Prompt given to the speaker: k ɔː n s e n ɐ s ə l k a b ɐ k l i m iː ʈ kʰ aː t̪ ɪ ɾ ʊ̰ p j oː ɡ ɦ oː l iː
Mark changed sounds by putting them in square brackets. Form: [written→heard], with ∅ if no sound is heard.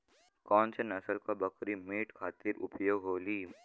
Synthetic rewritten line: k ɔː n s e n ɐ s ə l k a b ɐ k [l→ɾ] i m iː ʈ kʰ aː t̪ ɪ ɾ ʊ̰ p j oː ɡ ɦ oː l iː